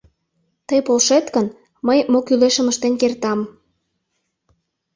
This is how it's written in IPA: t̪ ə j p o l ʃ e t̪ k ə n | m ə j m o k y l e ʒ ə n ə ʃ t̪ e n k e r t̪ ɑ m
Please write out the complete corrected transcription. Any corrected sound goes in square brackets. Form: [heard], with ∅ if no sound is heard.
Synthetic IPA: t̪ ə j p o l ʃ e t̪ k ə n | m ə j m o k y l e [ʃ] ə [m] ə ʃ t̪ e n k e r t̪ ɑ m